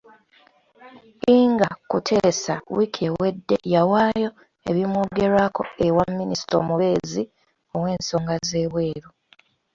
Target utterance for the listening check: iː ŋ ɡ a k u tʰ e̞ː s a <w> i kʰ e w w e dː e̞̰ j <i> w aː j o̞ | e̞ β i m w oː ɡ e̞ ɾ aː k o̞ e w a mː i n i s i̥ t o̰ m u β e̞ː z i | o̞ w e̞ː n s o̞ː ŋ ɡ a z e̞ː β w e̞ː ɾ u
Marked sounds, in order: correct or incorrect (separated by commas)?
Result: correct, incorrect